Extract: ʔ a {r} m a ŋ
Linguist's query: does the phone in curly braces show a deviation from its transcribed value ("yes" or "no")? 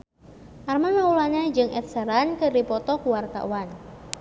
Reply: no